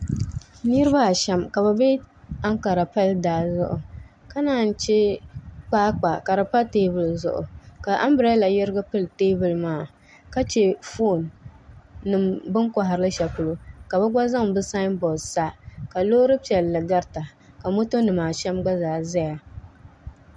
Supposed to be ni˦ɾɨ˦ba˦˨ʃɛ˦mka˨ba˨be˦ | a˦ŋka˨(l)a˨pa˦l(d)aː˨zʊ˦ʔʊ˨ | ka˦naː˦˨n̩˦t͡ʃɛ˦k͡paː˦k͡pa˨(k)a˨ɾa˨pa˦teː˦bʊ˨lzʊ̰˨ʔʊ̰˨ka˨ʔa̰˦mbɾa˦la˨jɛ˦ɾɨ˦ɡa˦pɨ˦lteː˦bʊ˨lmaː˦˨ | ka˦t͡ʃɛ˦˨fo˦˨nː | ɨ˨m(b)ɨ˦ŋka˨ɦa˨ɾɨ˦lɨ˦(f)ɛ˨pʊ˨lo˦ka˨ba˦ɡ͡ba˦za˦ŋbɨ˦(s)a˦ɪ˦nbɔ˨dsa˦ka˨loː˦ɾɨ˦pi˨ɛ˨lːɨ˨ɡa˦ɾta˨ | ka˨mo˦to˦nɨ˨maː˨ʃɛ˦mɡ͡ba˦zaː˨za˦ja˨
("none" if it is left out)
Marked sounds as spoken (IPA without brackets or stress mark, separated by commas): ɾ, d, k, b, ʃ, s